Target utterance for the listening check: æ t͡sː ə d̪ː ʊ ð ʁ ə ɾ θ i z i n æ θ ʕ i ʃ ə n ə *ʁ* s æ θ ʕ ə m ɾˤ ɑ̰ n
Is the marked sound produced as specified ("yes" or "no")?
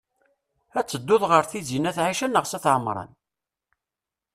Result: yes